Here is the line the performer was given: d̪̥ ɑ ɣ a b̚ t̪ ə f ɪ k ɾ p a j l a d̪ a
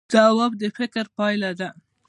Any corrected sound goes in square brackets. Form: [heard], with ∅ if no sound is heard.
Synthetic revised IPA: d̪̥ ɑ [w] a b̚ [d̪] ə f ɪ k ɾ p [ɑ] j l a d̪ a